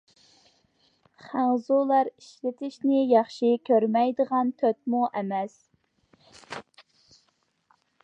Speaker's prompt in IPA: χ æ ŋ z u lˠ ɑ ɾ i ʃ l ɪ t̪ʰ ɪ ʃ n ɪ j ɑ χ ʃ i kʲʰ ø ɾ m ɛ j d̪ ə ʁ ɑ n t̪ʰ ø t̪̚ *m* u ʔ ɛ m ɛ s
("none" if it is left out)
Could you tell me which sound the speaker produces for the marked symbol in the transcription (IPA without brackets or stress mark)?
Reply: m